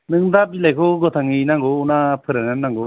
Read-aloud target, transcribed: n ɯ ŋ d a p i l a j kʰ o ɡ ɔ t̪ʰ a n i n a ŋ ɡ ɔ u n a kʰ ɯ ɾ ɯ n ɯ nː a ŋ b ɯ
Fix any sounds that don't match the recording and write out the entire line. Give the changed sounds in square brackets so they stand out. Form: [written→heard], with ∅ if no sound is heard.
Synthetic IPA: n ɯ ŋ d a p i l a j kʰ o ɡ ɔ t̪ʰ a [n→ŋ] i n a ŋ ɡ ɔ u n a [kʰ→pʰ] ɯ ɾ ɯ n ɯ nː a ŋ [b→ɡ] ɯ